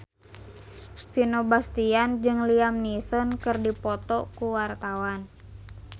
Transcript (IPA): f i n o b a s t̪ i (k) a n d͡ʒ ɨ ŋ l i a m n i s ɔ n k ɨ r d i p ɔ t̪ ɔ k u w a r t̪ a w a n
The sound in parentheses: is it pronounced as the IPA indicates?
no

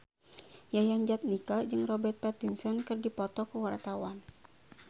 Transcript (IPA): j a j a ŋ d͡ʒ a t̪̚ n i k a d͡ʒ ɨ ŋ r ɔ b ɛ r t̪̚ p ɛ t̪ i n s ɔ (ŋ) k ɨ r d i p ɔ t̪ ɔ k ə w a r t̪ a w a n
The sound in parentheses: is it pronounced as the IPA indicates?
no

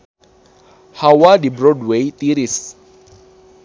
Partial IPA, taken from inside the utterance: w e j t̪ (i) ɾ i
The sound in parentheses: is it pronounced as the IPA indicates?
yes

